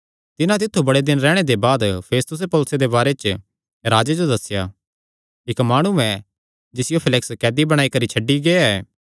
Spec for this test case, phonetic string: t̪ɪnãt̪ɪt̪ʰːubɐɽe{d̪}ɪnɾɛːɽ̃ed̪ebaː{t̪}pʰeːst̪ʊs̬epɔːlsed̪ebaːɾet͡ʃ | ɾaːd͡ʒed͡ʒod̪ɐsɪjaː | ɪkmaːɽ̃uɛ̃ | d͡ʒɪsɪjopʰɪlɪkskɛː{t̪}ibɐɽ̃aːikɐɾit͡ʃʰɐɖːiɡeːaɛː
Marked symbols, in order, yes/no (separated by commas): yes, no, no